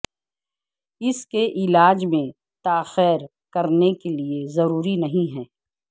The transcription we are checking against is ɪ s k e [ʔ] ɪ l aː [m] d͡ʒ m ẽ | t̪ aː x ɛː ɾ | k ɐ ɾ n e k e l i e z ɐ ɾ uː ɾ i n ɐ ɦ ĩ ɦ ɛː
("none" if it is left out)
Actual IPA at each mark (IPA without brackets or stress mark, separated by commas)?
ʔ, none